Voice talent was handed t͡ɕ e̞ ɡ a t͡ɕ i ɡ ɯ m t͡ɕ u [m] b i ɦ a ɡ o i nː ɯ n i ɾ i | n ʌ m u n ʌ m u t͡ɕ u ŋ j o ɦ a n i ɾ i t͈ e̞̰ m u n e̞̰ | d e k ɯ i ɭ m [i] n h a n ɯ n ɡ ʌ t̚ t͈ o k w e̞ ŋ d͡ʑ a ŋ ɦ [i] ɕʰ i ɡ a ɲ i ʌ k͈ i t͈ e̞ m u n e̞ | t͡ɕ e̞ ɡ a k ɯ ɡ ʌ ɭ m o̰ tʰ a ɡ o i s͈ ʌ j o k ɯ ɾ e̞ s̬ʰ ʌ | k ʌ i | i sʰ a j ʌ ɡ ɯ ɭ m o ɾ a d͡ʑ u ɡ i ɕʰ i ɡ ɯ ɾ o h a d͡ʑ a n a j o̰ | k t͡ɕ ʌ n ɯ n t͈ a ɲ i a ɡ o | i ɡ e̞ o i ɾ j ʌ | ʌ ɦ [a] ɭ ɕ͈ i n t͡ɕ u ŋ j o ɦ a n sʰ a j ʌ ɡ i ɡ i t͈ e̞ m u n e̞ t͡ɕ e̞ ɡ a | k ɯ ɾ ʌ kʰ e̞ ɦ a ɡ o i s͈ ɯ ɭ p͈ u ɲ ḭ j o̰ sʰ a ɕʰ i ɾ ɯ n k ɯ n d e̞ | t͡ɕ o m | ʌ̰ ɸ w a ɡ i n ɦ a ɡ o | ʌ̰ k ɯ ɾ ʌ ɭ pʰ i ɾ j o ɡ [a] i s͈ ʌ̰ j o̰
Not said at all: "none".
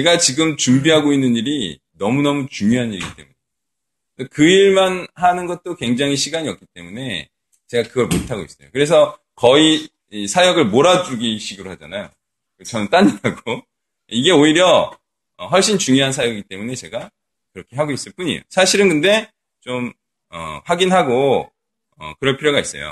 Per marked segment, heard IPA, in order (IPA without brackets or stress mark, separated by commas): m, a, i, ʌ, a